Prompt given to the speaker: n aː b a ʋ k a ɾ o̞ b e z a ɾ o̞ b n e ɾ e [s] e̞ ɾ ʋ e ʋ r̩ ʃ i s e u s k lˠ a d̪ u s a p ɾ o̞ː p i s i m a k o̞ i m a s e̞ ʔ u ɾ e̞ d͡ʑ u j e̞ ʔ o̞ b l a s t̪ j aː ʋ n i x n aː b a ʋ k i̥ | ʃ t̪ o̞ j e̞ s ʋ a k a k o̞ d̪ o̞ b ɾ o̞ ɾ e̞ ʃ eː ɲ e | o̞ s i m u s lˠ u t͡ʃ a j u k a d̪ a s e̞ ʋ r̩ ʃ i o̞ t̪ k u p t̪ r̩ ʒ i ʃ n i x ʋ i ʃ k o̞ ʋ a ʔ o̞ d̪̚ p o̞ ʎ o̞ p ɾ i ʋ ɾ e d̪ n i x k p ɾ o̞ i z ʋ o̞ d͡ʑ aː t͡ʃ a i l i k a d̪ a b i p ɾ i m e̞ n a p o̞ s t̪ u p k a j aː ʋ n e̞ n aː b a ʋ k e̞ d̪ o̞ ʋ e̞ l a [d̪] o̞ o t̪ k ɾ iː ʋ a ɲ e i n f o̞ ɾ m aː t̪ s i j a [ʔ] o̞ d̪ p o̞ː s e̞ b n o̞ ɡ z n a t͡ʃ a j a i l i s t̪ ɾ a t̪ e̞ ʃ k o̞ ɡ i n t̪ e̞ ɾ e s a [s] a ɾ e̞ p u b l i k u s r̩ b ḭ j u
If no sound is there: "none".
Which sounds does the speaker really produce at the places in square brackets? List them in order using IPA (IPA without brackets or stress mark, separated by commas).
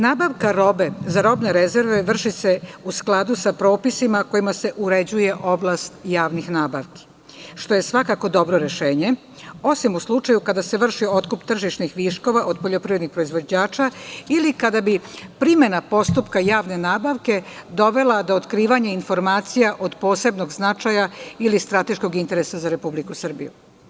z, d̪, ʔ, z